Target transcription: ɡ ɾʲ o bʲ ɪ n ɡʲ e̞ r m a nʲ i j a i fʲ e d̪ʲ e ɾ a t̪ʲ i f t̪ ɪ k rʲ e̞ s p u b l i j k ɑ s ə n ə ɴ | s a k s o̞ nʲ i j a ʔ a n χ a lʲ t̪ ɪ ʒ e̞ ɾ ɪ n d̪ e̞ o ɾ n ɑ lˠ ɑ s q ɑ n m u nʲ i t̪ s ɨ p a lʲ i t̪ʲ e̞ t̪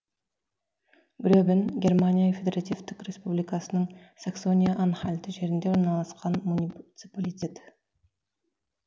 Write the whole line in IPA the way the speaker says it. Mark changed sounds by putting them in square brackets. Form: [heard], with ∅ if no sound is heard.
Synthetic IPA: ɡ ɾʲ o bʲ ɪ n ɡʲ e̞ r m a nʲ i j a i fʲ e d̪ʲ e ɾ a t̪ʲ i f t̪ ɪ k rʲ e̞ s p u b l i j k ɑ s ə n ə ɴ | s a k s o̞ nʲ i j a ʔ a n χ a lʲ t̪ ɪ ʒ e̞ ɾ ɪ n d̪ e̞ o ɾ n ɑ lˠ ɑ s q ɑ n m u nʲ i t̪ s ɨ p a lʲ i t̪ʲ e̞ t̪